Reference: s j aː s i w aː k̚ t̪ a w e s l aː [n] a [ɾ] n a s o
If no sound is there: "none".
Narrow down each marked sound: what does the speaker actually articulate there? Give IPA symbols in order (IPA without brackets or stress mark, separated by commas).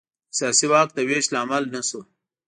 m, l